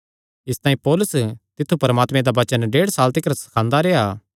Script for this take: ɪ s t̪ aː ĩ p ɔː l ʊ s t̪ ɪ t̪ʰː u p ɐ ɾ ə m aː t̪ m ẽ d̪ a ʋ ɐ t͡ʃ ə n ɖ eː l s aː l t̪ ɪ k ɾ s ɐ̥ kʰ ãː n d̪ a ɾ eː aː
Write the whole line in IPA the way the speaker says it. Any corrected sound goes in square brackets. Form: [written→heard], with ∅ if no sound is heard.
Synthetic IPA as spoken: ɪ s t̪ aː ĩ p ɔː l ʊ s t̪ ɪ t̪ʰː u p ɐ ɾ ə m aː t̪ m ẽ d̪ a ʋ ɐ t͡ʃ ə n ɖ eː [l→ɽ] s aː l t̪ ɪ k ɾ s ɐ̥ kʰ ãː n d̪ a ɾ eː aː

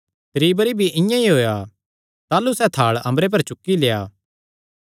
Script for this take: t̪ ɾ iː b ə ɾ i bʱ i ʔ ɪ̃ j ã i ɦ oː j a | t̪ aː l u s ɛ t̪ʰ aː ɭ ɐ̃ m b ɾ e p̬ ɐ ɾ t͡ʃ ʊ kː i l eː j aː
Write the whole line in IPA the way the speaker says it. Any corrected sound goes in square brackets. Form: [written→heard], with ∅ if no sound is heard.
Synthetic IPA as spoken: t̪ ɾ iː b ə ɾ i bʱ i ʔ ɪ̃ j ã i ɦ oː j a | t̪ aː l u s ɛ t̪ʰ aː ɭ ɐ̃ m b ɾ e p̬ ɐ ɾ t͡ʃ ʊ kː i l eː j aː

